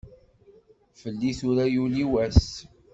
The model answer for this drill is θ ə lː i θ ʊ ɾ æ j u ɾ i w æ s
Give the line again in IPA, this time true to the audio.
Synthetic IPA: f ə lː i θ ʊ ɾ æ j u l i w æ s